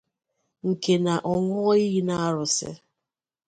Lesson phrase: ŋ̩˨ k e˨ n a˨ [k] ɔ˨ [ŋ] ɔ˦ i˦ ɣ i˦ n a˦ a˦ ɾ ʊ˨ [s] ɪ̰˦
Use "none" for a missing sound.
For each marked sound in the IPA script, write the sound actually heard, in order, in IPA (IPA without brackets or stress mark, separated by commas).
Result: ʔ, ŋ, s